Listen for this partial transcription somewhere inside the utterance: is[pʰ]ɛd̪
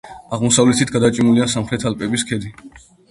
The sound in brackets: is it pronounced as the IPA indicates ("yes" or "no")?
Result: no